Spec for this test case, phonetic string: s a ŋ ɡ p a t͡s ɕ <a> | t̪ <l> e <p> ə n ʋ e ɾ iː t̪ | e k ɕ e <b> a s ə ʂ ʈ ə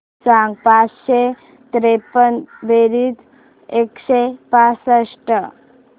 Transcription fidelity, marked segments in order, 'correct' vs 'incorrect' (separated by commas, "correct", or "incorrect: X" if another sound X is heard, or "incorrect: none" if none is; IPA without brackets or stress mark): incorrect: e, incorrect: ɾ, correct, incorrect: p